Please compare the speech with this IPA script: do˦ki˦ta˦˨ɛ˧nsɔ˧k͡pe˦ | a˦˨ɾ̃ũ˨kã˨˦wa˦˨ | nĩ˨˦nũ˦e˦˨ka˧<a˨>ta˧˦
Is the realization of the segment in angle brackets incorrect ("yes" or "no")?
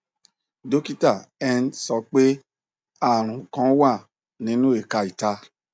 yes